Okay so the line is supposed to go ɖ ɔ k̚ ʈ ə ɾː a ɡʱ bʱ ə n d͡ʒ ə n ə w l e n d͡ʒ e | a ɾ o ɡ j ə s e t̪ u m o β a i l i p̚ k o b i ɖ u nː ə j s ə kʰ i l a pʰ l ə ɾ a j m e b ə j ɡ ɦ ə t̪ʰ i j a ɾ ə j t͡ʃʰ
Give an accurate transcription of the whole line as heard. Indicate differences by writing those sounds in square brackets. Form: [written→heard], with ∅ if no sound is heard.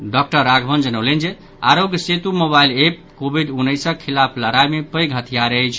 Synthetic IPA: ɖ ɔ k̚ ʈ ə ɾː a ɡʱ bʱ ə n d͡ʒ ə n ə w l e n d͡ʒ e | a ɾ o ɡ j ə s e t̪ u m o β a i l [i→e] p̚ k o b i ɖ u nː ə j s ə kʰ i l a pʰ l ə ɾ a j m e [b→p] ə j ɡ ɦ ə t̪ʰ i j a ɾ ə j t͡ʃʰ